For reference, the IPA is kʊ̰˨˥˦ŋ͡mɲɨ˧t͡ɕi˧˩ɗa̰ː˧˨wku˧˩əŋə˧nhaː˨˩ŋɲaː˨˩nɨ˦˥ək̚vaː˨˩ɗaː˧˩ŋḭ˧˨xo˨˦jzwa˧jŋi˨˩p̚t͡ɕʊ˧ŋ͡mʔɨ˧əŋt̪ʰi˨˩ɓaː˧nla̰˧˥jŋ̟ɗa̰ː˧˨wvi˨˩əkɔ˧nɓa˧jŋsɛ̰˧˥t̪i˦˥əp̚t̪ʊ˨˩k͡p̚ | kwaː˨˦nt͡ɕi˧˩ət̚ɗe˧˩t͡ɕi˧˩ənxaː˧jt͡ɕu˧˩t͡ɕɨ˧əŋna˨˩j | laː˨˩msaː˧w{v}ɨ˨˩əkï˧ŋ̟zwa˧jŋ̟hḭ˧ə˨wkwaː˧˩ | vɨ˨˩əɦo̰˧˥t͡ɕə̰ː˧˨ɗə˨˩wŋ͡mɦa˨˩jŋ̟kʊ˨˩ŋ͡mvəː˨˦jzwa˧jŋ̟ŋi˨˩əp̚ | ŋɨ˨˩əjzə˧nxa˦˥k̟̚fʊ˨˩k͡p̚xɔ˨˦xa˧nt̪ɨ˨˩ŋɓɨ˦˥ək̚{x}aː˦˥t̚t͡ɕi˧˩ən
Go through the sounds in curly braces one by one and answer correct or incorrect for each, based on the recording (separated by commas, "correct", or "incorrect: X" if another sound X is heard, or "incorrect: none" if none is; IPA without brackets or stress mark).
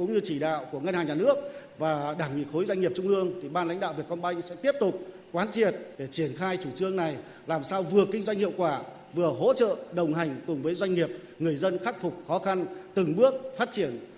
correct, incorrect: f